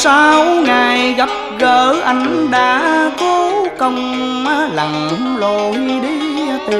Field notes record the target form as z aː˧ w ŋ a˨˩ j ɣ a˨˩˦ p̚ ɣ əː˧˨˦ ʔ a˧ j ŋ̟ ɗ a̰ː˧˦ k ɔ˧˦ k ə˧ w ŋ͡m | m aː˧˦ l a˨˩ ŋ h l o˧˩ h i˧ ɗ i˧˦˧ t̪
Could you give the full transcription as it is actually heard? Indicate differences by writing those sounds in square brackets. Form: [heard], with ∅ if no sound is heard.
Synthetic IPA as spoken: [s] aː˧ w ŋ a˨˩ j ɣ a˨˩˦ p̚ ɣ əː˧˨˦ ʔ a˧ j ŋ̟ ɗ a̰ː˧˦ k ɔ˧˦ k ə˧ w ŋ͡m | m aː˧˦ l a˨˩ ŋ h l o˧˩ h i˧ ɗ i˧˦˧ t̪